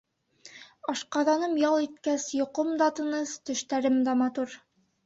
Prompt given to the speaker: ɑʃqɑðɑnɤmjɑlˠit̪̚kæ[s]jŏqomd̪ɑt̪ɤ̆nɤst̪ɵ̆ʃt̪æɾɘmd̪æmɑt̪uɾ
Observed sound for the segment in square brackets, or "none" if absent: s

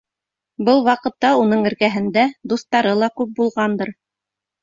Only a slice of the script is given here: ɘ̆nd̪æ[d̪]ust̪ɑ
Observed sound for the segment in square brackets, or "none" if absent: d̪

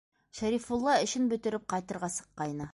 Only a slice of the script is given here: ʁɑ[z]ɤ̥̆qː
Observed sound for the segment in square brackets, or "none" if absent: s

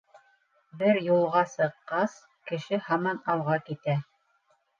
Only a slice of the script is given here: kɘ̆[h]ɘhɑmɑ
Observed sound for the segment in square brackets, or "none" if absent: ʃ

